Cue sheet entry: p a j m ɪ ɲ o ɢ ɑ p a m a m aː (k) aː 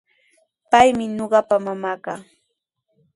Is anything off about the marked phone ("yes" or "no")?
no